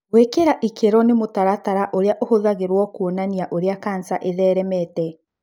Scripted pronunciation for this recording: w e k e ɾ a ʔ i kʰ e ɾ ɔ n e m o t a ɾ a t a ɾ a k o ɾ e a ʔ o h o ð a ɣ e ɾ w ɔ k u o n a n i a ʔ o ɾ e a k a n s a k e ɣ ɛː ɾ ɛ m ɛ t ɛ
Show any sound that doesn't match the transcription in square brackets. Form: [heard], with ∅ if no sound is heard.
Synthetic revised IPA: w e k e ɾ a ʔ i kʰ e ɾ ɔ n e m o t a ɾ a t a ɾ a [ʔ] o ɾ e a ʔ o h o ð a ɣ e ɾ w ɔ k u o n a n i a ʔ o ɾ e a k a n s a [ʔ] e [ð] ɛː ɾ ɛ m ɛ t ɛ

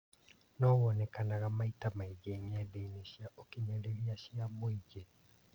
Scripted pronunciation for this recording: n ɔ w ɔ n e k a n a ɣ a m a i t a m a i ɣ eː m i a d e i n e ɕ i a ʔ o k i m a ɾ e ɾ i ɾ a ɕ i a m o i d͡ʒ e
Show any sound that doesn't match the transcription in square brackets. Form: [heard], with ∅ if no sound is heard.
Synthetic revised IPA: n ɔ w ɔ n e k a n a ɣ a m a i t a m a i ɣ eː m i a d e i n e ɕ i a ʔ o k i [ɲ] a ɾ e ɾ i [∅] a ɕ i a m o i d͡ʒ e

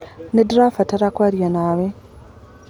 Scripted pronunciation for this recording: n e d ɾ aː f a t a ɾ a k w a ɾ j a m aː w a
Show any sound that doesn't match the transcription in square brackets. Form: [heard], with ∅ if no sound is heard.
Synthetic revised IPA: n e d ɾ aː f a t a ɾ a k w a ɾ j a [n] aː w [e]

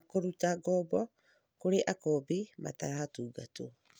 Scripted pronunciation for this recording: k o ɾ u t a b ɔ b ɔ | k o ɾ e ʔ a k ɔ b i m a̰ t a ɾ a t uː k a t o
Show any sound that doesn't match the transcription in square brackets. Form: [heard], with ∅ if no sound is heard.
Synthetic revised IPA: k o ɾ u t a [ɡ] ɔ b ɔ | k o ɾ e ʔ a k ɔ b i m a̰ t a ɾ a t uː [ɡ] a t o

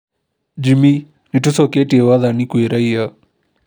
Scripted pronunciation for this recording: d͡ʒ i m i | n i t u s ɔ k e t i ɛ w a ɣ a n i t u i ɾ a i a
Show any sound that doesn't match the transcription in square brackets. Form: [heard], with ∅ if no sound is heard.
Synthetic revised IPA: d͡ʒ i m i | n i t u s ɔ k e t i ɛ w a [ð] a n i [k] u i ɾ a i a

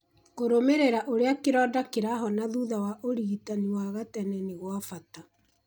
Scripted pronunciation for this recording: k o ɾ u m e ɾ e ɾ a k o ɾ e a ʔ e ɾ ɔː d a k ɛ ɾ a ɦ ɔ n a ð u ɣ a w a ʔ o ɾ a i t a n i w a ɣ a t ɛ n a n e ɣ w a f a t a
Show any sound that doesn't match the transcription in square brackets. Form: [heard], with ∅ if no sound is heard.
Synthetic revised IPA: k o ɾ [o] m e ɾ e ɾ a [ʔ] o ɾ e a [k] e ɾ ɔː d a k [e] ɾ a ɦ ɔ n a ð u [ð] a w a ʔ o ɾ [i] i t a n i w a ɣ a t ɛ n [ɛ] n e ɣ w a f a t a

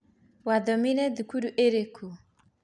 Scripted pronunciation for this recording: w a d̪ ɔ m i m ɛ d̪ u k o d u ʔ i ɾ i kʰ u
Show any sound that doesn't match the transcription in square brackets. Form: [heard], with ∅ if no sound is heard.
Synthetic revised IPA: w a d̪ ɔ m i [n] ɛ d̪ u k [u] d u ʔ [e] ɾ [e] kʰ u

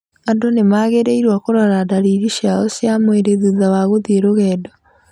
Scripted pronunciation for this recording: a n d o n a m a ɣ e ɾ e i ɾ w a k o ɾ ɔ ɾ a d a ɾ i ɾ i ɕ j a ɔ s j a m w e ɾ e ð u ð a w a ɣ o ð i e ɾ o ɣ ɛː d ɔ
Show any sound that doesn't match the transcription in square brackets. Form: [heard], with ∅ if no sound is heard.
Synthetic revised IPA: a n d o n [e] m a ɣ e ɾ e i ɾ w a k o ɾ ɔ ɾ a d a ɾ i ɾ i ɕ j a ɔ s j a m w e ɾ e ð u ð a w a ɣ o ð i e ɾ o ɣ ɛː d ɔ

